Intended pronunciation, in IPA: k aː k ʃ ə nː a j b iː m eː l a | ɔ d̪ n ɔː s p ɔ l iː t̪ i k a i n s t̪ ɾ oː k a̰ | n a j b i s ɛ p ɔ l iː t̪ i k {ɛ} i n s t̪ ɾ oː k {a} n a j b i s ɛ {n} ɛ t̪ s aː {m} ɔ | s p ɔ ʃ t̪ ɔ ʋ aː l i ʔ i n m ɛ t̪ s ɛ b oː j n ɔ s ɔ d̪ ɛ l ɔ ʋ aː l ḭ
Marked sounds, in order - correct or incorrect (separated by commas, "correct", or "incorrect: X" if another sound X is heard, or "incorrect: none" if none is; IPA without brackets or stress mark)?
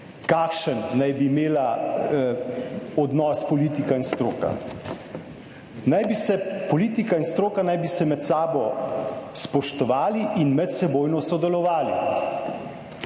incorrect: a, correct, incorrect: m, incorrect: b